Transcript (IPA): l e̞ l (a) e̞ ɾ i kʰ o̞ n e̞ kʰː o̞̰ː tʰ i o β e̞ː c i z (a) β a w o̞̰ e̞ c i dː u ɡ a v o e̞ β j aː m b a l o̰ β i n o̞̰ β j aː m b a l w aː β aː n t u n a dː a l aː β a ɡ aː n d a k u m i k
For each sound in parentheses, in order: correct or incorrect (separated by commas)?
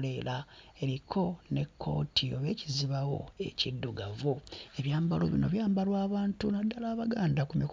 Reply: correct, incorrect